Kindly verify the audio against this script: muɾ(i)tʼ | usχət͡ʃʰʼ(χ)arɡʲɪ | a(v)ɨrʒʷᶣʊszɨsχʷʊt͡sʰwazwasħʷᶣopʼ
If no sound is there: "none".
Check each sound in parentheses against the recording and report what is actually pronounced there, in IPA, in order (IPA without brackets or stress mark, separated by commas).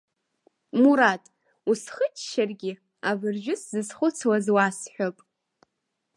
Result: a, ʃ, v